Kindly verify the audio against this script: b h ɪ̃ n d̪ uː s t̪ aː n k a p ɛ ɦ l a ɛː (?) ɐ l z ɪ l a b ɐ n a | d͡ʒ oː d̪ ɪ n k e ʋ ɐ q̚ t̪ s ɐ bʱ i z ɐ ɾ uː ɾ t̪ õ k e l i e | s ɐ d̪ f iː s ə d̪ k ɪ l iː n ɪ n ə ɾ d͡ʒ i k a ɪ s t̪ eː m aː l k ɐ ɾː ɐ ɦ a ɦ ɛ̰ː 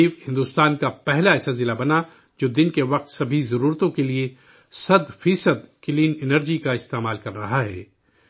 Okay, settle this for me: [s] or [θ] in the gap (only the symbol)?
s